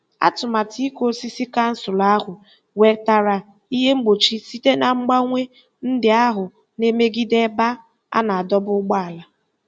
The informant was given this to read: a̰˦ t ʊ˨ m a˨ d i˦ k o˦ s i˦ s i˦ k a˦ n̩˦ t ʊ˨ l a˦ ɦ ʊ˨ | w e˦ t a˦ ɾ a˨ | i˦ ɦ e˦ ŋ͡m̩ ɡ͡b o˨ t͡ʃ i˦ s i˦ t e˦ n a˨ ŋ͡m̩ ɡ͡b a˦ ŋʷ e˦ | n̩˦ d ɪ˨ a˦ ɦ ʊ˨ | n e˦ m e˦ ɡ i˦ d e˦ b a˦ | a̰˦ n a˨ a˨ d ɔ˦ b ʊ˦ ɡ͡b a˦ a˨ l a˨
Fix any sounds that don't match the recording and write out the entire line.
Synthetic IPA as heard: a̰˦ t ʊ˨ m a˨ t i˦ k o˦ s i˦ s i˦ k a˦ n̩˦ s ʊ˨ l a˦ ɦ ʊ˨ | w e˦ t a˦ ɾ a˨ | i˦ ɦ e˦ ŋ͡m̩ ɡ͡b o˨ t͡ʃ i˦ s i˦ t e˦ n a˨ ŋ͡m̩ ɡ͡b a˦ ŋʷ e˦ | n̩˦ d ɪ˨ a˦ ɦ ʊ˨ | n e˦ m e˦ ɡ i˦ d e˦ b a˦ | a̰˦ n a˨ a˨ d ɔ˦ b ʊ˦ ɡ͡b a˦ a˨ l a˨